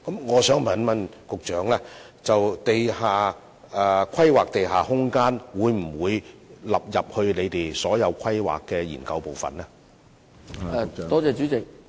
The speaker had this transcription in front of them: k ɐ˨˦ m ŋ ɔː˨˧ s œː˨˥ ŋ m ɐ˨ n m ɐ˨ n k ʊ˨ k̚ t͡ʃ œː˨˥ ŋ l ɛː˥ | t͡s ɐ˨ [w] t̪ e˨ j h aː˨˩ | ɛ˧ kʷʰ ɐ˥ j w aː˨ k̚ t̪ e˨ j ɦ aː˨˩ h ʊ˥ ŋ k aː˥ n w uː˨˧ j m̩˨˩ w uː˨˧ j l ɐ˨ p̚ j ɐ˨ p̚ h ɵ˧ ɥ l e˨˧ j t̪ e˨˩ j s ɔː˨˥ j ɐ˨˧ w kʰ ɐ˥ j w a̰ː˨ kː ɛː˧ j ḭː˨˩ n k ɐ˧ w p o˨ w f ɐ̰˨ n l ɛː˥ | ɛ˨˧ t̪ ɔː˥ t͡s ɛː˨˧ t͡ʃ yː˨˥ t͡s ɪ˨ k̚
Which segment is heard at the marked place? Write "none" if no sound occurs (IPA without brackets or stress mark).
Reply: w